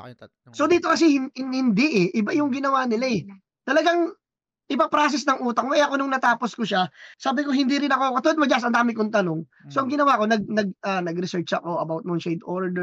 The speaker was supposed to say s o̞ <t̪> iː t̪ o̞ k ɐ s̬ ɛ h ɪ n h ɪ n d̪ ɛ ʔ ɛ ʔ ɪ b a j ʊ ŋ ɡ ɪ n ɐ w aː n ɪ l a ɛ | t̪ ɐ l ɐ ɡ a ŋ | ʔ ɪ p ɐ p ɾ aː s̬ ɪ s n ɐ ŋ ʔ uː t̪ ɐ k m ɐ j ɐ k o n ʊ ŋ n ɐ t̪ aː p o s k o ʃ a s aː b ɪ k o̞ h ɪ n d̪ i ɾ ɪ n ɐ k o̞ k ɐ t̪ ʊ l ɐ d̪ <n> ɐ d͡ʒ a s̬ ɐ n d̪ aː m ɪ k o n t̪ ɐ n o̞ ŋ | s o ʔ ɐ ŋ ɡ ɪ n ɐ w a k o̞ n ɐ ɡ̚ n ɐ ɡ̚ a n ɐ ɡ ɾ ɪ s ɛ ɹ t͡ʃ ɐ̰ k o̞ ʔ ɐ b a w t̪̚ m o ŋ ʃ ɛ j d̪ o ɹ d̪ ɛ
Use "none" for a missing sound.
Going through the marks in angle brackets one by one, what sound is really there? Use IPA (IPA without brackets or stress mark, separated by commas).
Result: d̪, m